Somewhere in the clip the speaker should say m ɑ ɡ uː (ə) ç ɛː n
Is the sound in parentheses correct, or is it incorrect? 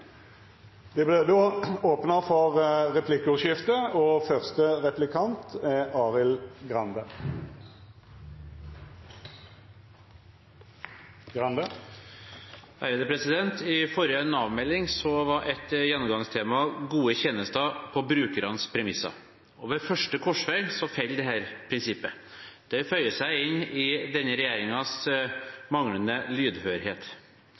correct